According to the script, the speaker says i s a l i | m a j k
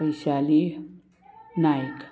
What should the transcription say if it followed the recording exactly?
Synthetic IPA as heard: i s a l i | n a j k